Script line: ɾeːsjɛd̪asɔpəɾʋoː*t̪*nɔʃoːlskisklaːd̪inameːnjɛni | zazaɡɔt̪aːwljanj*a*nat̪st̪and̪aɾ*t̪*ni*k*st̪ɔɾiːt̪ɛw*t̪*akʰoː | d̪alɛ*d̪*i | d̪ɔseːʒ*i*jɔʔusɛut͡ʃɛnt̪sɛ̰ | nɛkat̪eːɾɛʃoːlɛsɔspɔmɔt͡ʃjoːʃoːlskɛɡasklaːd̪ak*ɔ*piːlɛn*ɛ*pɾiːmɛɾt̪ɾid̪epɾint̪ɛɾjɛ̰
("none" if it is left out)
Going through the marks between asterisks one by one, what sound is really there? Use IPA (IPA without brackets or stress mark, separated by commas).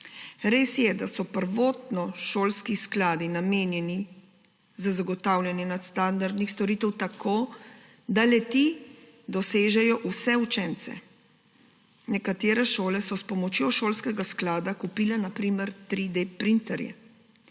t̪, ɛ, d̪, x, t̪, t̪, ɛ, u, a